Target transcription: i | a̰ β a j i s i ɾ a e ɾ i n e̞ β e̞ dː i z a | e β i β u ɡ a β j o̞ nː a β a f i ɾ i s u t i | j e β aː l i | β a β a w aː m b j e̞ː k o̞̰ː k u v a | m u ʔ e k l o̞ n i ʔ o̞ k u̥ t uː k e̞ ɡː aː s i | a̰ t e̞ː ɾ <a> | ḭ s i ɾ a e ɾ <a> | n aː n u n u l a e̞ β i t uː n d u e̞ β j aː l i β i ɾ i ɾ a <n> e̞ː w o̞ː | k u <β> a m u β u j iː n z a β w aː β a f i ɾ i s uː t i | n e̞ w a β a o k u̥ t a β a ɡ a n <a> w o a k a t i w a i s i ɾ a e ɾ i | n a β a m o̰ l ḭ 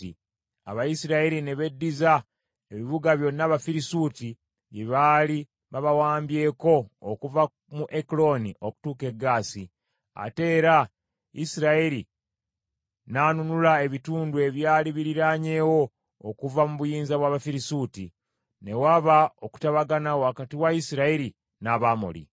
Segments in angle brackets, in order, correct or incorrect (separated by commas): correct, incorrect, incorrect, incorrect, correct